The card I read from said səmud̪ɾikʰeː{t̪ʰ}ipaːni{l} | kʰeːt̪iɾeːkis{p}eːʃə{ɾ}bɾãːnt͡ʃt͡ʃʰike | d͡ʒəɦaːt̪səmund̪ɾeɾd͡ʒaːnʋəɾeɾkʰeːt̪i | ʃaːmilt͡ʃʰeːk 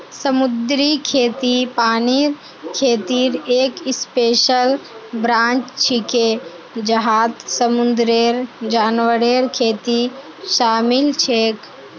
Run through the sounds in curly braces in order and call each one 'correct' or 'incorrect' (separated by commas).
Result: incorrect, incorrect, correct, incorrect